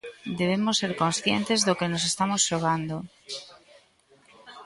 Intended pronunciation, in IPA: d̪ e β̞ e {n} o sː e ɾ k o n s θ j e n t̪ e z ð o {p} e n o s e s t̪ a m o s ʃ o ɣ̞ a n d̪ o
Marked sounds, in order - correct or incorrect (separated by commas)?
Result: incorrect, incorrect